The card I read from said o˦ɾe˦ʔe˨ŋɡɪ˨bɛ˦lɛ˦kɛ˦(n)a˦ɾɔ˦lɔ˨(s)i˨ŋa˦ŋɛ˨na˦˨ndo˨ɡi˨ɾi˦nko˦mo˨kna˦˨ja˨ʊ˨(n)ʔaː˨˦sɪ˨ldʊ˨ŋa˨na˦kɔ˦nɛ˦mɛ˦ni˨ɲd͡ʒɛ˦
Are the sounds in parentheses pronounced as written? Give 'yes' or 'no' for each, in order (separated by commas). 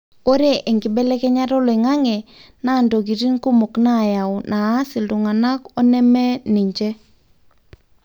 no, no, yes